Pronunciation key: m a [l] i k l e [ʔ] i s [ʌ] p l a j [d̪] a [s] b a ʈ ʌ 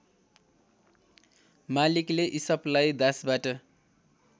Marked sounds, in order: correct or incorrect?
correct, correct, correct, correct, correct

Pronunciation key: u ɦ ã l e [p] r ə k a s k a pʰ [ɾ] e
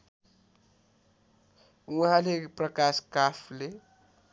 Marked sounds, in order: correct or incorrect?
correct, incorrect

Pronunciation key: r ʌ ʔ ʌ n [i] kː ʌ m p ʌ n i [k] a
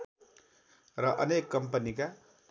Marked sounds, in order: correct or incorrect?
incorrect, correct

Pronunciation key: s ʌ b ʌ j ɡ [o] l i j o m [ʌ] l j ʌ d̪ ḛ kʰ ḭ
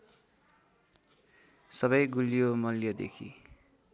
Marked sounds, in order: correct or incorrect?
incorrect, correct

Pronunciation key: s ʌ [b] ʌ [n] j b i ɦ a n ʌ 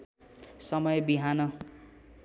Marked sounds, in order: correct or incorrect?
incorrect, incorrect

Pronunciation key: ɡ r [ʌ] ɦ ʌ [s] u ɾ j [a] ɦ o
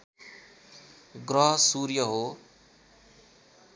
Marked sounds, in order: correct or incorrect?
correct, correct, incorrect

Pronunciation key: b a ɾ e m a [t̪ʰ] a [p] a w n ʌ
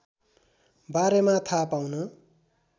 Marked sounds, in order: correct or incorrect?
correct, correct

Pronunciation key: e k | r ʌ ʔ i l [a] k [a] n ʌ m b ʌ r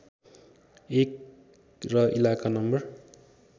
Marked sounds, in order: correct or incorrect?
correct, correct

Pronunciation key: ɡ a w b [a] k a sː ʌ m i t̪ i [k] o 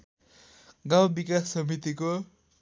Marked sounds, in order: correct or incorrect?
incorrect, correct

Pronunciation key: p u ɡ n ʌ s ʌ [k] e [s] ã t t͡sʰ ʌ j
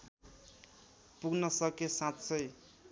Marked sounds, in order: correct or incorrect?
correct, correct

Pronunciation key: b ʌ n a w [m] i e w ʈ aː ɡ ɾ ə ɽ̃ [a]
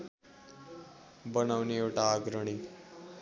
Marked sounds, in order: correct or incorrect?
incorrect, incorrect

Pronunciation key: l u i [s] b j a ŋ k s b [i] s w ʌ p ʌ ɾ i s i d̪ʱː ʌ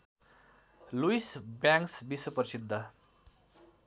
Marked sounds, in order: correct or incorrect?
correct, correct

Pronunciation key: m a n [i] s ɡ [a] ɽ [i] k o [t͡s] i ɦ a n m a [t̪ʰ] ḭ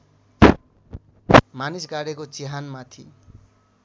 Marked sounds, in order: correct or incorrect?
correct, correct, incorrect, correct, correct

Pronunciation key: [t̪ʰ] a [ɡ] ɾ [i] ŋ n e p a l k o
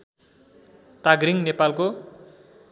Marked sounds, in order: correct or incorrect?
incorrect, correct, correct

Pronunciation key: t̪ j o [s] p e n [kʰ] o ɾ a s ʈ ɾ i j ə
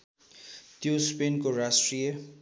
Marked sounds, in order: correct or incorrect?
correct, incorrect

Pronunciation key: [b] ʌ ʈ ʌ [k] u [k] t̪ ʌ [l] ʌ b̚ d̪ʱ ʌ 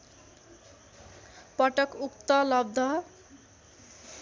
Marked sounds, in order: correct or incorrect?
incorrect, correct, correct, correct

